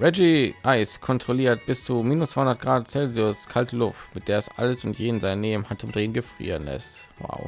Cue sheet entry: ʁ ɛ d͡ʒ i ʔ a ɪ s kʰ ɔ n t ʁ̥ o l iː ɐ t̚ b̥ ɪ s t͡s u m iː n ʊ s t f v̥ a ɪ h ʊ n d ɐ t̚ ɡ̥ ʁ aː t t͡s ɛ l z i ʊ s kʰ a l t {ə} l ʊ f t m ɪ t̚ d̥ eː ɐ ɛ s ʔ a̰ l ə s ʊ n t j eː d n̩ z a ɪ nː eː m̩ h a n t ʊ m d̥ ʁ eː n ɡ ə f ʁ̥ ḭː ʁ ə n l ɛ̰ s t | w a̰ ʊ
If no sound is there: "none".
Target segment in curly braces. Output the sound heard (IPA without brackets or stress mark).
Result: ə